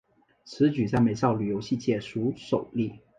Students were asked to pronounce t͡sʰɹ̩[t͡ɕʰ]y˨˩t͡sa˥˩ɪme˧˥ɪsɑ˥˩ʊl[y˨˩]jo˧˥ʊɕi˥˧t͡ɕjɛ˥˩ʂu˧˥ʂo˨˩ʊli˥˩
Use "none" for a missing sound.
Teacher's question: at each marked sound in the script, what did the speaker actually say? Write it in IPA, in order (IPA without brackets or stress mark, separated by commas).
t͡ɕ, y˨˩